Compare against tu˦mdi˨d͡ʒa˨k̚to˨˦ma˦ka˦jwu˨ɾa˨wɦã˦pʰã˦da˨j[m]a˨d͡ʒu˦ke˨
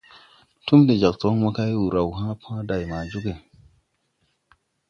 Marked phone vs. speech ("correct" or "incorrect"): correct